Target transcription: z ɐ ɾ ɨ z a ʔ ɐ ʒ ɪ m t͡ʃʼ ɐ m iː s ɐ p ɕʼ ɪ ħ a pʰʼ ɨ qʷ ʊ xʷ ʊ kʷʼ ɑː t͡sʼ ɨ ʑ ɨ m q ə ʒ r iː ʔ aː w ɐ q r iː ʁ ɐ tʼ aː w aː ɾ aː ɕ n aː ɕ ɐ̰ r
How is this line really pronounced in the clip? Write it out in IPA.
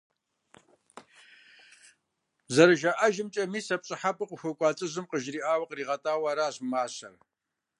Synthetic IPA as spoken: z ɐ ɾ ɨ ʒ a ʔ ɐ ʒ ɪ m t͡ʃʼ ɐ m iː s ɐ p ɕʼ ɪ ħ a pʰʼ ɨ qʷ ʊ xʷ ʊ kʷʼ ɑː t͡sʼ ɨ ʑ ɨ m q ə ʒ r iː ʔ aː w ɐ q r iː ʁ ɐ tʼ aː w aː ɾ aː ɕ m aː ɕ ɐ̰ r